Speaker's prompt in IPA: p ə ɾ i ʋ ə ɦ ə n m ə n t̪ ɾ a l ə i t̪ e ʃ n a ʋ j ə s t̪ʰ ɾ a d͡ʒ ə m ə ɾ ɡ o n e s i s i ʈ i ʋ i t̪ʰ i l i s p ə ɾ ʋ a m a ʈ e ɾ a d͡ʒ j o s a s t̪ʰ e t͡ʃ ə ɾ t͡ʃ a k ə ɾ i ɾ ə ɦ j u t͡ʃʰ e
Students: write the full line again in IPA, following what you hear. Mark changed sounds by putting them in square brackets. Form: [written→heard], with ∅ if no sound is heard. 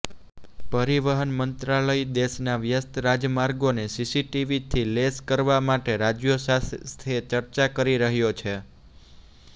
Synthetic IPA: p ə ɾ i ʋ ə ɦ ə n m ə n t̪ ɾ a l ə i [t̪→d̪] e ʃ n a ʋ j ə s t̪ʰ ɾ a d͡ʒ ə m [ə→a] ɾ ɡ o n e s i s i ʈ i ʋ i t̪ʰ i l [i→e] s [p→k] ə ɾ ʋ a m a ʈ e ɾ a d͡ʒ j o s a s t̪ʰ e t͡ʃ ə ɾ t͡ʃ a k ə ɾ i ɾ ə ɦ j [u→o] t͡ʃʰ e

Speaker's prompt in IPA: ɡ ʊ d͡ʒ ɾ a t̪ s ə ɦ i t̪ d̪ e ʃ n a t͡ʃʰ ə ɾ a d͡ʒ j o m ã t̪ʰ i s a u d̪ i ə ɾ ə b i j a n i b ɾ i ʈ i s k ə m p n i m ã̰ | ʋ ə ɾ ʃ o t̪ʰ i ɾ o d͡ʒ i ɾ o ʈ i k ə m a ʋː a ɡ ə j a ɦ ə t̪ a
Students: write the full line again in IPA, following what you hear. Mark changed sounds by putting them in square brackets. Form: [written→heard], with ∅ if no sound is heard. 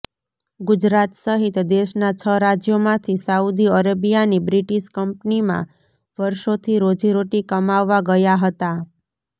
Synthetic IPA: ɡ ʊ d͡ʒ ɾ a t̪ s ə ɦ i t̪ d̪ e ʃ n a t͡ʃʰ ə ɾ a d͡ʒ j o m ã t̪ʰ i s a u d̪ i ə ɾ ə b i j a n i b ɾ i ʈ i [s→ʃ] k ə m p n i m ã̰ | ʋ ə ɾ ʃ o t̪ʰ i ɾ o d͡ʒ i ɾ o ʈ i k ə m a ʋː a ɡ ə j a ɦ ə t̪ a

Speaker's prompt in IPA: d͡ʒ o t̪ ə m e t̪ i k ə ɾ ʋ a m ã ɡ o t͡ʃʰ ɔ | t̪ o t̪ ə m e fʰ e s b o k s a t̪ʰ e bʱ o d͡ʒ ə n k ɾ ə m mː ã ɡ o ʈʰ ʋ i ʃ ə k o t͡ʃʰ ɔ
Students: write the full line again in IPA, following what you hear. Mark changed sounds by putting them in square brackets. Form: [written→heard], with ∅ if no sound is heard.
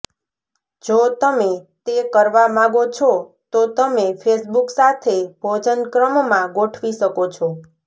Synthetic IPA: d͡ʒ o t̪ ə m e t̪ [i→e] k ə ɾ ʋ a m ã ɡ o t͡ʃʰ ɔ | t̪ o t̪ ə m e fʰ e s b [o→u] k s a t̪ʰ e bʱ o d͡ʒ ə n k ɾ ə m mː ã ɡ o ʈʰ ʋ i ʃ ə k o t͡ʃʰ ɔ

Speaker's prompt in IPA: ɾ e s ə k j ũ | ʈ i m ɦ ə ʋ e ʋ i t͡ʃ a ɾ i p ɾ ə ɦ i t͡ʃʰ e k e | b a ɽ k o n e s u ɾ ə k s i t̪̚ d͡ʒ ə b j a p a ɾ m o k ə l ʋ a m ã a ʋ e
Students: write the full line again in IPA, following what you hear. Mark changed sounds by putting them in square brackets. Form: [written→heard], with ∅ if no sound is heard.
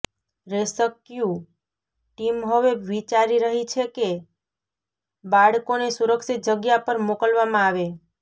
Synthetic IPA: ɾ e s ə k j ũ | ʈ i m ɦ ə ʋ e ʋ i t͡ʃ a ɾ i [p→∅] ɾ ə ɦ i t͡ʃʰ e k e | b a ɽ k o n e s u ɾ ə k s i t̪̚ d͡ʒ ə [b→ɡ] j a p [a→ə] ɾ m o k ə l ʋ a m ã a ʋ e

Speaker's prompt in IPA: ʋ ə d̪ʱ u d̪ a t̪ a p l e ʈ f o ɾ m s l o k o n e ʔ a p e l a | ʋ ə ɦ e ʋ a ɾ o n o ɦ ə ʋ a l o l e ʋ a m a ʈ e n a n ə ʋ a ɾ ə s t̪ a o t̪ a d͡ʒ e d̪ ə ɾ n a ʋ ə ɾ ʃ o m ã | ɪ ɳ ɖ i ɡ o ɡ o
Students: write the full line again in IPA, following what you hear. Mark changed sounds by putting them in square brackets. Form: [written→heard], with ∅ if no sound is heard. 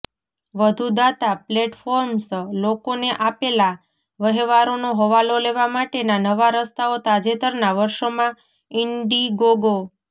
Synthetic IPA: ʋ ə d̪ʱ u d̪ a t̪ a p l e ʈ f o ɾ m s l o k o n e ʔ a p e l a | ʋ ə ɦ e ʋ a ɾ o n o ɦ ə ʋ a l o l e ʋ a m a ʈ e n a n ə ʋ a ɾ ə s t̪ a o t̪ a d͡ʒ e [d̪→t̪] ə ɾ n a ʋ ə ɾ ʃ o m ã | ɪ ɳ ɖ i ɡ o ɡ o

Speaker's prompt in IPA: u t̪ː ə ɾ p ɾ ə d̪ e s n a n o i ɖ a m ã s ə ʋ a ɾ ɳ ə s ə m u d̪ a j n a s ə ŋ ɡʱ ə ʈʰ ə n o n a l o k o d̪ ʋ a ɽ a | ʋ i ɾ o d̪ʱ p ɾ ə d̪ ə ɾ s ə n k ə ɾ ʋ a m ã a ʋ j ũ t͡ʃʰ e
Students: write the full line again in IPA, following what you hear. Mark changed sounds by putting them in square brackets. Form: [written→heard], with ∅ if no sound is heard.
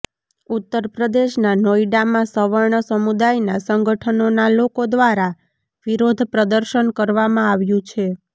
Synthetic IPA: u t̪ː ə ɾ p ɾ ə d̪ e [s→ʃ] n a n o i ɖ a m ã s ə ʋ [a→ə] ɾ ɳ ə s ə m u d̪ a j n a s ə ŋ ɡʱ ə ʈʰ ə n o n a l o k o d̪ ʋ a [ɽ→ɾ] a | ʋ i ɾ o d̪ʱ p ɾ ə d̪ ə ɾ [s→ʃ] ə n k ə ɾ ʋ a m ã a ʋ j ũ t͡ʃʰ e

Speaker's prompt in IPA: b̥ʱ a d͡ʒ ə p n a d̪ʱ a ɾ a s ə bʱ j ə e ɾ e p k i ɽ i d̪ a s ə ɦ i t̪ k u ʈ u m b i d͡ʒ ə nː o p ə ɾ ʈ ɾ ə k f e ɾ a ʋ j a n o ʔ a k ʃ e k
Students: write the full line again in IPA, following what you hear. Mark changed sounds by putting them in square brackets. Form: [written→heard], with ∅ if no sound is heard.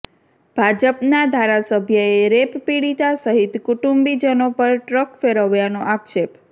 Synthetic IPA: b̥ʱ a d͡ʒ ə p n a d̪ʱ a ɾ a s ə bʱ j ə e ɾ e p [k→p] i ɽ i [d̪→t̪] a s ə ɦ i t̪ k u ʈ u m b i d͡ʒ ə [nː→n] o p ə ɾ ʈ ɾ ə k f e ɾ [a→ə] ʋ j a n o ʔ a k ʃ e [k→p]

